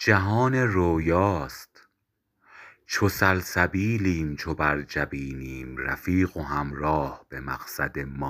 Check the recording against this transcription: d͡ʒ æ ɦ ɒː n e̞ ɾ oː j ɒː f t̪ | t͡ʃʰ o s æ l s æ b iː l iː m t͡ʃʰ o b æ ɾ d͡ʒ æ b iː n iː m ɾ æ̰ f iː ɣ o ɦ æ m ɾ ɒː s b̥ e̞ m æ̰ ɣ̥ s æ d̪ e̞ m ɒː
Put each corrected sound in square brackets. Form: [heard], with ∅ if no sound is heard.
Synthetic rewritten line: d͡ʒ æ ɦ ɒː n e̞ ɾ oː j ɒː [s] t̪ | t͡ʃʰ o s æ l s æ b iː l iː m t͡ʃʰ o b æ ɾ d͡ʒ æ b iː n iː m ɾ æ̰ f iː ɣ o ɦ æ m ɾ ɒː [h] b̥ e̞ m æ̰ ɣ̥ s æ d̪ e̞ m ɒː